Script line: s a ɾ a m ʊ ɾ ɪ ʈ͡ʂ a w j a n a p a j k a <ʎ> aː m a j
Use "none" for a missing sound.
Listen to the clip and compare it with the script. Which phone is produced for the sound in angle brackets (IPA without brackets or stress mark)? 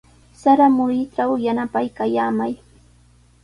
j